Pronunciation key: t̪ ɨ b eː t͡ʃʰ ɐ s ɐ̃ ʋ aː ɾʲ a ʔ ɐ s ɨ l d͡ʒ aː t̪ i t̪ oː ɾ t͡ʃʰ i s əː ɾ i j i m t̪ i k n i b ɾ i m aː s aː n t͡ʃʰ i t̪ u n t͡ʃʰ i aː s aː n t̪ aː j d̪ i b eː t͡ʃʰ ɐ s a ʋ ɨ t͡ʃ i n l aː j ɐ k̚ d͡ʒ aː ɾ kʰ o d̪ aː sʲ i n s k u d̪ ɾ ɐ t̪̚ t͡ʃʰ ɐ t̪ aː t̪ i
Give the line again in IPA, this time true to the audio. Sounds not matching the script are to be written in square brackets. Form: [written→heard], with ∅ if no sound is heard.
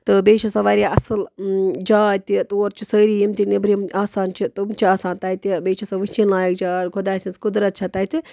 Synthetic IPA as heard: t̪ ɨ b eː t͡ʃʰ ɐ s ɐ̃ ʋ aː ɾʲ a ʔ ɐ s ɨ l d͡ʒ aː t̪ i t̪ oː ɾ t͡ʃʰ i s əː ɾ i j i m t̪ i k n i b ɾ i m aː s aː n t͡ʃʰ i t̪ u [n→m] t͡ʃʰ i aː s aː n t̪ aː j [d̪→t̪] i b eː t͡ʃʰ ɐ s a ʋ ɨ t͡ʃ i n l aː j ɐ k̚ d͡ʒ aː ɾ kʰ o d̪ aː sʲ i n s k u d̪ ɾ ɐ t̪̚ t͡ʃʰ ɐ t̪ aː t̪ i